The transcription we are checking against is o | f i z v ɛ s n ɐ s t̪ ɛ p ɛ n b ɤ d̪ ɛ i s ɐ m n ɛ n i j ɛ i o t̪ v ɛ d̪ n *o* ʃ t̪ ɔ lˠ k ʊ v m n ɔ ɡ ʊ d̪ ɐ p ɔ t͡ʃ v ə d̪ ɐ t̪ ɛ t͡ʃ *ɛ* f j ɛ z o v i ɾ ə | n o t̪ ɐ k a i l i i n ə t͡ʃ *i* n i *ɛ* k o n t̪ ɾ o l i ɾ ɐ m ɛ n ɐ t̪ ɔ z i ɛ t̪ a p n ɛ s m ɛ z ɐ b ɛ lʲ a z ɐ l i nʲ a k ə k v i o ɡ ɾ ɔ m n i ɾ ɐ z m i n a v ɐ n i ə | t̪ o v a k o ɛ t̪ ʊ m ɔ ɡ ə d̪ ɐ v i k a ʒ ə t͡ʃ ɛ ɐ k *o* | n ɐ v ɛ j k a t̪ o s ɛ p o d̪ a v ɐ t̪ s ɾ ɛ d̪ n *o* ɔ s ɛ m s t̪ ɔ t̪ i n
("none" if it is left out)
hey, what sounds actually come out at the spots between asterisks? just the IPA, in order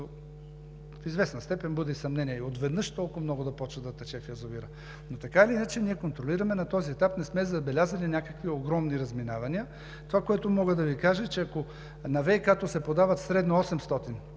ɤ, ɛ, ɛ, ɛ, o, o

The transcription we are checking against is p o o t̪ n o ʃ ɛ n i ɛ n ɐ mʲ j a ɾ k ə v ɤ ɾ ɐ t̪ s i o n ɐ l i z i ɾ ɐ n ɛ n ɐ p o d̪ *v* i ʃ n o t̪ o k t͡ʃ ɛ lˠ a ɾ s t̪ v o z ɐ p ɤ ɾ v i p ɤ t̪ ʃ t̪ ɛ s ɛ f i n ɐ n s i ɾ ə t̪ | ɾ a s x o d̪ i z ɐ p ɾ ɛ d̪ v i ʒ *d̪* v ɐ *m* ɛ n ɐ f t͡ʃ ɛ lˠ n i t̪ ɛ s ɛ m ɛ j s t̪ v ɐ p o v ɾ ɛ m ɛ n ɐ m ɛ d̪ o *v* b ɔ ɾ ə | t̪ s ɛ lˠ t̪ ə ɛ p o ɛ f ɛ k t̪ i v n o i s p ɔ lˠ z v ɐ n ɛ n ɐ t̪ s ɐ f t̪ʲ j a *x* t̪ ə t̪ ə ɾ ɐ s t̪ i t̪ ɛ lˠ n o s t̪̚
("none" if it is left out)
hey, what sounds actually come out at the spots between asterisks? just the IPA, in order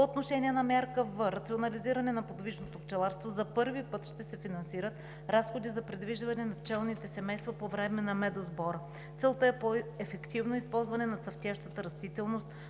v, d̪, n, z, ʃ

